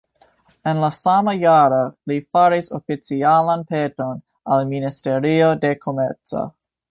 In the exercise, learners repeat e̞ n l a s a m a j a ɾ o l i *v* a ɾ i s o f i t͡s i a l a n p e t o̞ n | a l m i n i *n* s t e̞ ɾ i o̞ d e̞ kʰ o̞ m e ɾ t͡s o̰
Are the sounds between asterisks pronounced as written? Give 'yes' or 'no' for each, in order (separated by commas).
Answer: no, no